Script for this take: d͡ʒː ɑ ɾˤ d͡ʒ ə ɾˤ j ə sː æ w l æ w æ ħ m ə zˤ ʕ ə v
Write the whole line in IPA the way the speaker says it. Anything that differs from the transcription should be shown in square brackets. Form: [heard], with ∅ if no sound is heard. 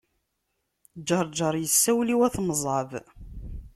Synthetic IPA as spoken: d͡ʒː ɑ ɾˤ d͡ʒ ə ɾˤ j ə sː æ w l [i] w æ [θ] m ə zˤ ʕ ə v